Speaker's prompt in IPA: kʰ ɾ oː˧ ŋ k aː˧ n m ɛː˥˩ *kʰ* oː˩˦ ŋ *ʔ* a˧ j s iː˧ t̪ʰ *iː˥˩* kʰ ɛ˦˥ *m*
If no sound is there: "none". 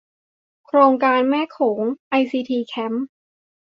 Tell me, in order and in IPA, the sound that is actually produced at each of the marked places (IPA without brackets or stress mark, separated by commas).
kʰ, ʔ, iː˧, m